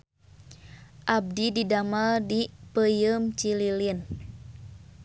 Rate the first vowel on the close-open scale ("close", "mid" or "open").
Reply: open